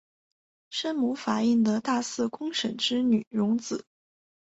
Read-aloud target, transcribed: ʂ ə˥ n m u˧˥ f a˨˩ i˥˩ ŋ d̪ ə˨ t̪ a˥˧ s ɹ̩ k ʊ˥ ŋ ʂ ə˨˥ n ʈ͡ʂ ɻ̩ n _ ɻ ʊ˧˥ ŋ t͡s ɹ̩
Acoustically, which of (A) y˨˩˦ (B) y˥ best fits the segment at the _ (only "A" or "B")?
A